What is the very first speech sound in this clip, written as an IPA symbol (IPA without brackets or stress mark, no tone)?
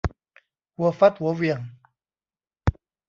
w